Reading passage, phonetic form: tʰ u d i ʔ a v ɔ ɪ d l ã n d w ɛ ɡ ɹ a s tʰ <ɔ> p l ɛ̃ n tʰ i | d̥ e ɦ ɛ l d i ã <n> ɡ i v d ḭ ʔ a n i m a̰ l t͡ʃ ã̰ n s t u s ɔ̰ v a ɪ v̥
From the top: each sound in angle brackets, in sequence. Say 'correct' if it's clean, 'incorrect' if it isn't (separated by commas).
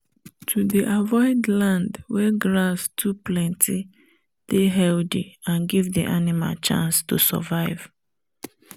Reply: incorrect, correct